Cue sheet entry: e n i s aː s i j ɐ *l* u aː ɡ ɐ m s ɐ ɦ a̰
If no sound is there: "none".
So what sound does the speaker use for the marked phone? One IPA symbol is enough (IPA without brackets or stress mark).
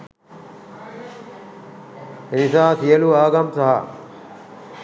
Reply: l